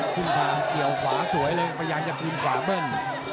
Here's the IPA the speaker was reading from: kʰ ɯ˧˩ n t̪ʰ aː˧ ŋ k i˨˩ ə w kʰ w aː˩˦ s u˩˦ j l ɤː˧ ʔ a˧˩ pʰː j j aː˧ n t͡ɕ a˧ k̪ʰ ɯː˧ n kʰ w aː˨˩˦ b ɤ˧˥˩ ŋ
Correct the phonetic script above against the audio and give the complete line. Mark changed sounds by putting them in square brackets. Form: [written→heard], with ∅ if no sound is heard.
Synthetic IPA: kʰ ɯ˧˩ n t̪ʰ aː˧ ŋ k i˨˩ ə w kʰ w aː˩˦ s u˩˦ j l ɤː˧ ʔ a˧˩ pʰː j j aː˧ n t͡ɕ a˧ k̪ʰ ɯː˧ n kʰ w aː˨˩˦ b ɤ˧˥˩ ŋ